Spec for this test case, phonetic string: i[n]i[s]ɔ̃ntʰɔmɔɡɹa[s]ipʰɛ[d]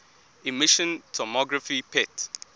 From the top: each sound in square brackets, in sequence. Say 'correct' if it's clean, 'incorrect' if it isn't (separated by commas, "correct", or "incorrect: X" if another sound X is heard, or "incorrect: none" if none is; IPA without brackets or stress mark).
incorrect: m, incorrect: ʃ, incorrect: f, incorrect: t